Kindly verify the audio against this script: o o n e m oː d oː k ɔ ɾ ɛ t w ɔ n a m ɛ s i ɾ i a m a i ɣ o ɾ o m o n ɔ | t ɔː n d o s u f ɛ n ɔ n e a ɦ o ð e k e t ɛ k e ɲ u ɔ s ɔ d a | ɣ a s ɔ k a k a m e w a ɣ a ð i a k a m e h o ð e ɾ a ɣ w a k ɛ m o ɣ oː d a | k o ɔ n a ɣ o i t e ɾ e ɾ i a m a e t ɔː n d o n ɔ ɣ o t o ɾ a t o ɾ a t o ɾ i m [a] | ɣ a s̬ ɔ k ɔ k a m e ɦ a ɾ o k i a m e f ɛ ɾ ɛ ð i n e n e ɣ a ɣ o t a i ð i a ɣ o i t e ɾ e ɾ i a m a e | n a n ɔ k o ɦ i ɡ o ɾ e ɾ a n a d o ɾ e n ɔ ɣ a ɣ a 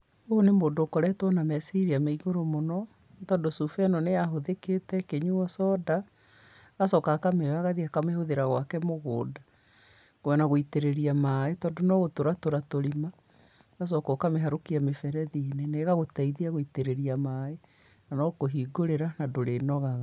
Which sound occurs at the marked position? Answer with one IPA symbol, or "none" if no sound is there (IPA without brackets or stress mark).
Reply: a